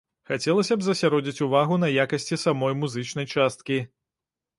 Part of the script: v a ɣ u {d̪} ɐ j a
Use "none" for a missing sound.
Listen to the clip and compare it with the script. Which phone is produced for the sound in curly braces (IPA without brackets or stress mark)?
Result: n̪